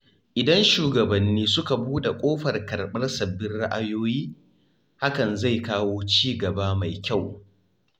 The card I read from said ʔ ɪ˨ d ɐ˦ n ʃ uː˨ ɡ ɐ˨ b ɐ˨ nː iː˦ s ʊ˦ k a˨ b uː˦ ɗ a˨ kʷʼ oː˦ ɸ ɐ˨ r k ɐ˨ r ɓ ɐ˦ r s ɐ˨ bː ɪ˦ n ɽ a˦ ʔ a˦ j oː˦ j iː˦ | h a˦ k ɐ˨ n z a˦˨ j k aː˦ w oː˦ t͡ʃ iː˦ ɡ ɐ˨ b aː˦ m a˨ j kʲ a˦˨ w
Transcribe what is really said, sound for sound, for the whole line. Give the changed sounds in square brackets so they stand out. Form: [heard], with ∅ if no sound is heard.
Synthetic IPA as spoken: ʔ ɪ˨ d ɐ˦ n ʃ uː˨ ɡ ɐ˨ b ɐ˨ nː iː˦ s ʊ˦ k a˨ b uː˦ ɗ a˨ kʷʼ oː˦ ɸ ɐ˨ r k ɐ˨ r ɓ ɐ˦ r s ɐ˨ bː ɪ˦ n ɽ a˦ ʔ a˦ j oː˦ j iː˦ | h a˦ k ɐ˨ n z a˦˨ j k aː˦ w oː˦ t͡ʃ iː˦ ɡ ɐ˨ b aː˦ m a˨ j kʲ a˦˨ w